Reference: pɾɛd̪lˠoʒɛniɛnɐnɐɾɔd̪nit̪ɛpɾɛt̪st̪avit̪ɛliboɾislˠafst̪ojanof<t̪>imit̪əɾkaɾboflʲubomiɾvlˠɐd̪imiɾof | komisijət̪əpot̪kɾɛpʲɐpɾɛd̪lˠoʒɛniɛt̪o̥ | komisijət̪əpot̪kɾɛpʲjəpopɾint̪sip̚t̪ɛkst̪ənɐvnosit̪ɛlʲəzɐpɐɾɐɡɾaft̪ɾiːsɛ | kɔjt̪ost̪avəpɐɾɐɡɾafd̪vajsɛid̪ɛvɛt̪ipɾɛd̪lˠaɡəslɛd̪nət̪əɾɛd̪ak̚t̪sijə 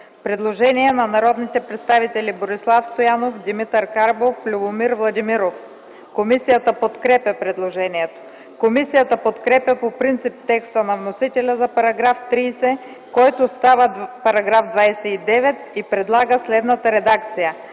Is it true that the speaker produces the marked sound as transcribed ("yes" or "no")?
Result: no